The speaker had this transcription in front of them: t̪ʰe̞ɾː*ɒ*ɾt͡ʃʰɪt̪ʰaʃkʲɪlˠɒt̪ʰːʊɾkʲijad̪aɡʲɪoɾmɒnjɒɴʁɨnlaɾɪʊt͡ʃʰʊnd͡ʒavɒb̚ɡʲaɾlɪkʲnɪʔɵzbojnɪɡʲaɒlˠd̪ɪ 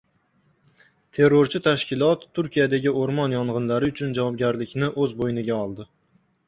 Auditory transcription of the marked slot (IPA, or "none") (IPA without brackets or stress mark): o